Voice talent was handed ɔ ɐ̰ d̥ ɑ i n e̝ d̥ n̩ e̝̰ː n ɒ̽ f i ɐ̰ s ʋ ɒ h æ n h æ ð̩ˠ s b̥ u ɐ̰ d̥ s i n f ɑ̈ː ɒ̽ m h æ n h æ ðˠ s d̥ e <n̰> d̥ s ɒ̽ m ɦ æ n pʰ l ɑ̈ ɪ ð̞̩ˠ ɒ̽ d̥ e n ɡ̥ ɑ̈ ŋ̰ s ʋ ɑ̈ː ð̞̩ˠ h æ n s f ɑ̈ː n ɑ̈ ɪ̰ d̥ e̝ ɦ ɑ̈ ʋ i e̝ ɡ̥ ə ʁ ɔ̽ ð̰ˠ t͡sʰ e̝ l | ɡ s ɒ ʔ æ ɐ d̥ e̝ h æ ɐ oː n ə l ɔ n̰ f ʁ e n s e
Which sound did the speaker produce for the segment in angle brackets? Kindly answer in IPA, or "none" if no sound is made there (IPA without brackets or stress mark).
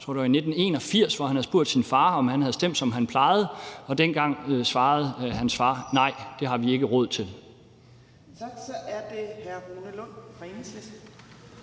m̰